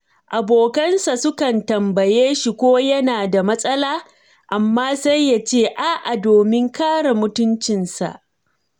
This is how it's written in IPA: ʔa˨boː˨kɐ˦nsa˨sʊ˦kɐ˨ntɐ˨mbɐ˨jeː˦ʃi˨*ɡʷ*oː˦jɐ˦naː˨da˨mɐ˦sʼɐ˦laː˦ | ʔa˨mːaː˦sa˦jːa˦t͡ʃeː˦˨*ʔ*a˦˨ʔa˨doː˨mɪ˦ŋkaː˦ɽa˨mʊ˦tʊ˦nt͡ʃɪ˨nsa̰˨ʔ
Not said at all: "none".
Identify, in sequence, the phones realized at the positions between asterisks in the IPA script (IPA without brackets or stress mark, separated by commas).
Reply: kʷ, ʔ